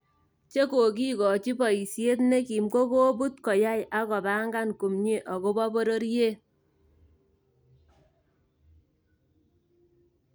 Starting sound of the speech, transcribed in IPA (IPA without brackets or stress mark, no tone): t͡ʃ